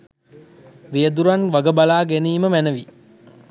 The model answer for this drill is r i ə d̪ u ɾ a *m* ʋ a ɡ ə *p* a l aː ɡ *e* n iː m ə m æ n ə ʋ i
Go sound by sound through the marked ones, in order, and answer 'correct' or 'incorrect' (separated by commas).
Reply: incorrect, incorrect, correct